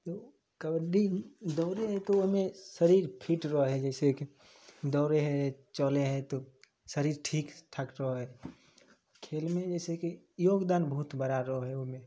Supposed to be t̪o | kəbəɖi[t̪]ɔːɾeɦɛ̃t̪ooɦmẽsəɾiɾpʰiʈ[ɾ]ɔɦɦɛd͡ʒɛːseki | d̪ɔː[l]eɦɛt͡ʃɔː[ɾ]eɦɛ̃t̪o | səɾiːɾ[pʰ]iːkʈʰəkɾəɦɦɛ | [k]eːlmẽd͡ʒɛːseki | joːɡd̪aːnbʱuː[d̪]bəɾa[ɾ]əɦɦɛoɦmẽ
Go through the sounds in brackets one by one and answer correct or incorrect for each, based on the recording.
incorrect: d̪, correct, incorrect: ɾ, incorrect: l, incorrect: ʈʰ, incorrect: kʰ, incorrect: t̪, correct

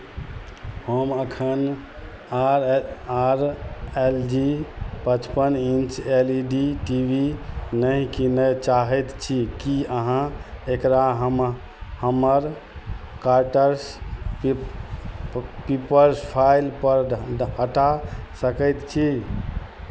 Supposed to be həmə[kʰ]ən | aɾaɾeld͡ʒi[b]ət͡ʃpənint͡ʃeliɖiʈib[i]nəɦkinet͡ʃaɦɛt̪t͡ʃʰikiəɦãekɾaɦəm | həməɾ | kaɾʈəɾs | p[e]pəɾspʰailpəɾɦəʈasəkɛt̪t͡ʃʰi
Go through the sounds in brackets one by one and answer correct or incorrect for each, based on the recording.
correct, incorrect: p, correct, incorrect: i

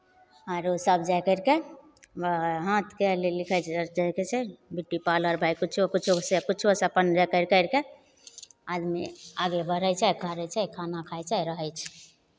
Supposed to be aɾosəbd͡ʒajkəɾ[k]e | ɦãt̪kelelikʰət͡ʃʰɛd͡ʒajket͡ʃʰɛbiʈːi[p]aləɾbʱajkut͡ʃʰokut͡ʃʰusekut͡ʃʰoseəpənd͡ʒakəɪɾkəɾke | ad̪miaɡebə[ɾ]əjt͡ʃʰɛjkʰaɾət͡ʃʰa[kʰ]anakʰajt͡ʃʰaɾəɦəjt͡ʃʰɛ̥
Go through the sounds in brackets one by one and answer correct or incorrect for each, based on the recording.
correct, correct, correct, correct

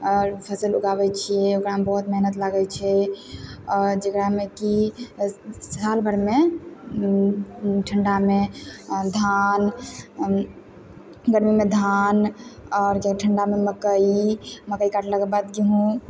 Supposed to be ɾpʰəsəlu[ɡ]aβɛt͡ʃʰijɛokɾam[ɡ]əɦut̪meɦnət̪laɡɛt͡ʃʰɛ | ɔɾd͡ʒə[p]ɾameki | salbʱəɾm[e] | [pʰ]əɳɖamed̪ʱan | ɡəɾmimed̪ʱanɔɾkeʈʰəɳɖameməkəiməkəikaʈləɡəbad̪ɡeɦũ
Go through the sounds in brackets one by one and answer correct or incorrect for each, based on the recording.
correct, incorrect: b, incorrect: k, correct, incorrect: ʈʰ

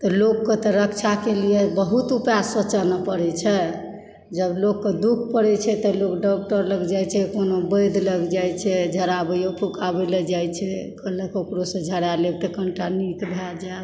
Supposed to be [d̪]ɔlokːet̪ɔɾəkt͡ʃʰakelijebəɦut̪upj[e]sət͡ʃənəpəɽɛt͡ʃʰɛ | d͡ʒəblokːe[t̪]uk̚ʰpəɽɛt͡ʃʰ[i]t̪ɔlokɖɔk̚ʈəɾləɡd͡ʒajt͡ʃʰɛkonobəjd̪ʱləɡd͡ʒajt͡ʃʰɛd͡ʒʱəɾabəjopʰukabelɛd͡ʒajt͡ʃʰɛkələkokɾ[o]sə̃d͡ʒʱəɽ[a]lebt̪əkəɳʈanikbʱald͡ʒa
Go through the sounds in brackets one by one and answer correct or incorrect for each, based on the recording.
incorrect: t̪, incorrect: a, incorrect: d̪, incorrect: ɛ, correct, correct

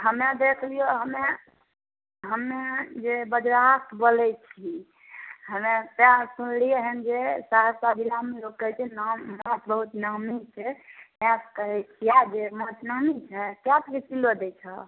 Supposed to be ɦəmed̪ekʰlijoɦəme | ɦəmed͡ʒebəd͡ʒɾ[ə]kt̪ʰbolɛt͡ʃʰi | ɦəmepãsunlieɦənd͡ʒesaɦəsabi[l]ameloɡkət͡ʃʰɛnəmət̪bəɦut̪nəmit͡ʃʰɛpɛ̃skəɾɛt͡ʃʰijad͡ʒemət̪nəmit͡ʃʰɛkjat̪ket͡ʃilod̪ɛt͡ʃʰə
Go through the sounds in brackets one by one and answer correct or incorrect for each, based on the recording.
incorrect: a, correct

